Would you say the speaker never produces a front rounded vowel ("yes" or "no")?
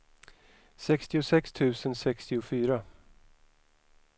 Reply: no